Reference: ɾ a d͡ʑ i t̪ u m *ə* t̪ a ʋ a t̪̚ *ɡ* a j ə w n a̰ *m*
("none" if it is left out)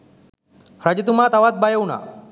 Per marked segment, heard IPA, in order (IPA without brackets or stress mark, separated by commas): a, b, none